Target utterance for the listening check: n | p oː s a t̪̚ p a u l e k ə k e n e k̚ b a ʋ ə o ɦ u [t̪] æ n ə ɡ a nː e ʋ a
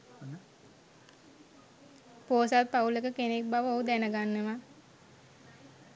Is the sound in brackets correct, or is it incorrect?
incorrect